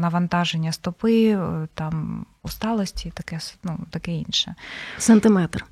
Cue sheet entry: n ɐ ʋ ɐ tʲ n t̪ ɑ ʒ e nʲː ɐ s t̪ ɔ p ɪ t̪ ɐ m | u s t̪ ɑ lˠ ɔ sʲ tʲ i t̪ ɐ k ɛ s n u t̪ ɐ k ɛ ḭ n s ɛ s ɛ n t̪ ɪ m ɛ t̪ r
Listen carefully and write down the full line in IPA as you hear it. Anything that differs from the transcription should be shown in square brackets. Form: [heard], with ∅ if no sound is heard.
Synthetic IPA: n ɐ ʋ ɐ [∅] n t̪ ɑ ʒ e nʲː ɐ s t̪ ɔ p ɪ t̪ [ɑ] m | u s t̪ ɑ lˠ ɔ sʲ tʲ i t̪ ɐ k ɛ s n u t̪ ɐ k ɛ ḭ n [ʃ] ɛ s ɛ n t̪ ɪ m ɛ t̪ r